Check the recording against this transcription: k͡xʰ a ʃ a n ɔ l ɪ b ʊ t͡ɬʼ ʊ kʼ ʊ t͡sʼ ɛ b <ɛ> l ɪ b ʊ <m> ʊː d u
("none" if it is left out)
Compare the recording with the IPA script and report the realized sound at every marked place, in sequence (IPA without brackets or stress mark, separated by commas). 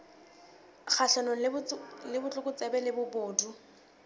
ɛ, b